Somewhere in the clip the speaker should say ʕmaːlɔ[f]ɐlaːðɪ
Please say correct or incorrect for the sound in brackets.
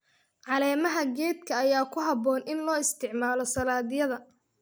incorrect